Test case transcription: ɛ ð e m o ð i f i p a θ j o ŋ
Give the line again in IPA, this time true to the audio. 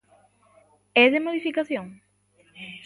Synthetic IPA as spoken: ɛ ð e m o ð i f i k a θ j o ŋ